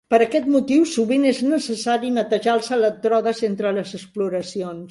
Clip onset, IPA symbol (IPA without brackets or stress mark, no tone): p